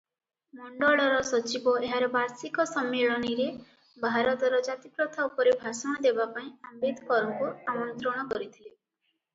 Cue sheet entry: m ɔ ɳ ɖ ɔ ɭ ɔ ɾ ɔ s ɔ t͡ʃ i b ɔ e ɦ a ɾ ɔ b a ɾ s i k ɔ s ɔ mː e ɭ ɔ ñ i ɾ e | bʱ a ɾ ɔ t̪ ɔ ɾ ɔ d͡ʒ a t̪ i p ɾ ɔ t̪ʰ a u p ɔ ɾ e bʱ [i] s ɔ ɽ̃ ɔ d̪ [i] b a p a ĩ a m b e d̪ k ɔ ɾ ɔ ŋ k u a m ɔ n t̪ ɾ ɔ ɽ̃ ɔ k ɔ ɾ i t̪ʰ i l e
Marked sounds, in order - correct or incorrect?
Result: incorrect: a, incorrect: e

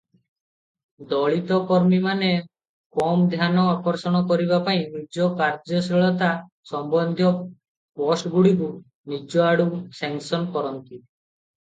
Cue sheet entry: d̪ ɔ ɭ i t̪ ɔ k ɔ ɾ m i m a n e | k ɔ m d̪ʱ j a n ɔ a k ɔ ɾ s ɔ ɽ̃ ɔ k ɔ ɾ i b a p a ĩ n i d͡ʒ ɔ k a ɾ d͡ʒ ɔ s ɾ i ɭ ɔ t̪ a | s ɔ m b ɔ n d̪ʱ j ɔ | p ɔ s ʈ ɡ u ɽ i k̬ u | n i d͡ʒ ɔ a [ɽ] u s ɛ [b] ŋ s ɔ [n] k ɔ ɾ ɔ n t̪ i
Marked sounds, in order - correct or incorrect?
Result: correct, incorrect: none, correct

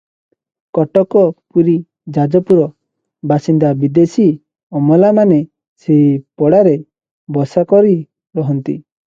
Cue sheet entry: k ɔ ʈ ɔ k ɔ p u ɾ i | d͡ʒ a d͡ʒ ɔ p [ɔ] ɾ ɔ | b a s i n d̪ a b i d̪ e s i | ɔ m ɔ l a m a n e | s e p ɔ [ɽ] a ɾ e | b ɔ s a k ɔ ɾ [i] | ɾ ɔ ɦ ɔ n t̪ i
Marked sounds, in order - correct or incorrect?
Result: incorrect: u, correct, correct

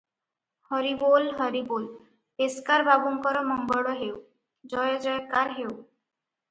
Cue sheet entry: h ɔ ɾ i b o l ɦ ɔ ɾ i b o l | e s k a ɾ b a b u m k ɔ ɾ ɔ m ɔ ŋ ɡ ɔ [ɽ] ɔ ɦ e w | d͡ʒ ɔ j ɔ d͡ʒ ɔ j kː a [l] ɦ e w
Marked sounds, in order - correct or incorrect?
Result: correct, incorrect: ɾ

